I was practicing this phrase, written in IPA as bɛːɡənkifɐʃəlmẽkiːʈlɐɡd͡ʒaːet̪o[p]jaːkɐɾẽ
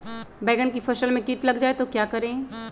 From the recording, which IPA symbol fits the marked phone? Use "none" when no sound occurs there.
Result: k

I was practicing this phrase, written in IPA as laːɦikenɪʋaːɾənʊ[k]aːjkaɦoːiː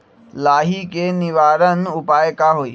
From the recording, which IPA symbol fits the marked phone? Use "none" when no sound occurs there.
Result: p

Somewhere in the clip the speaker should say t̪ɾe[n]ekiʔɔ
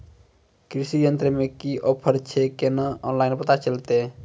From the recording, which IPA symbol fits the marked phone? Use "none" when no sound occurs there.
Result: m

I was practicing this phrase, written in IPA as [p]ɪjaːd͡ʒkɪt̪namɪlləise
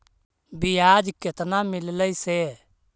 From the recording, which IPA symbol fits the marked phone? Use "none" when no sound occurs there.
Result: b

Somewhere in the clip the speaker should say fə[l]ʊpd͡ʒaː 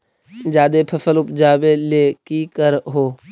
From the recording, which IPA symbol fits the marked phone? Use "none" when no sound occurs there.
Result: l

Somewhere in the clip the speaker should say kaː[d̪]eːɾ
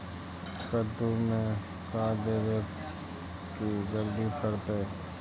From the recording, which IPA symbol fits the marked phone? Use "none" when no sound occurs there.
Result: d̪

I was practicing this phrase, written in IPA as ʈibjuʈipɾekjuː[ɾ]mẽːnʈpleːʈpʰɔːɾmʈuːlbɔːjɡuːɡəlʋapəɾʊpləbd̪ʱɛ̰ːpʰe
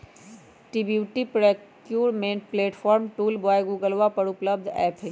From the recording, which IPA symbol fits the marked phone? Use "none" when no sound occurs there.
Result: ɾ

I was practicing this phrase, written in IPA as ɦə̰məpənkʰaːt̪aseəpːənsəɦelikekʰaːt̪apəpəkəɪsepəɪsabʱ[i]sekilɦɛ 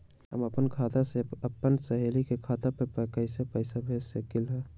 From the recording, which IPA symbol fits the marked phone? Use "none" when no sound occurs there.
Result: e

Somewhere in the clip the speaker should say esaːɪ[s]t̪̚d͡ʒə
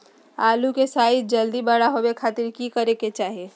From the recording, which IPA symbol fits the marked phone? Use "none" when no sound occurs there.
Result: none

